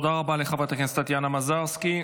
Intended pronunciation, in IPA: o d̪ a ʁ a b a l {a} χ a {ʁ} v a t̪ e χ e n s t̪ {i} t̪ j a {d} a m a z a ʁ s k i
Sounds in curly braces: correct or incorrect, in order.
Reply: incorrect: e, incorrect: none, incorrect: a, incorrect: n

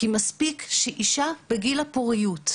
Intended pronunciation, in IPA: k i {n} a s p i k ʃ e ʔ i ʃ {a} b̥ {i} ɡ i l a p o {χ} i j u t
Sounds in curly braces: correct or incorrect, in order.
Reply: incorrect: m, correct, incorrect: e, incorrect: ʁ

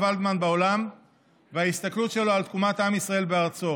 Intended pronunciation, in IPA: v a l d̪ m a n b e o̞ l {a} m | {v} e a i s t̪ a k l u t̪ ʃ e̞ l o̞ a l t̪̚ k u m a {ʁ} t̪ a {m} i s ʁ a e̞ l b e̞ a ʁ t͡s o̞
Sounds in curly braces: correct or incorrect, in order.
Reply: correct, correct, incorrect: none, correct

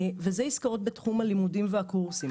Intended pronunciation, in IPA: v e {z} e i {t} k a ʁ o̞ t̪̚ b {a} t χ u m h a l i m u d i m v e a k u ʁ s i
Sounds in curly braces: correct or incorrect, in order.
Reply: correct, incorrect: s, incorrect: e

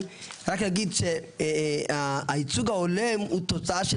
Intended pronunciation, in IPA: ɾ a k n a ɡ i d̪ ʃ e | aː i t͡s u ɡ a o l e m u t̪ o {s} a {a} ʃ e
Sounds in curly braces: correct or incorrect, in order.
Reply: incorrect: t͡s, correct

